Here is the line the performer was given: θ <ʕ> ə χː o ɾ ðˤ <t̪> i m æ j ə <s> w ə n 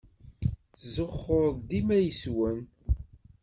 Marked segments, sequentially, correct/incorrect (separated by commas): incorrect, incorrect, correct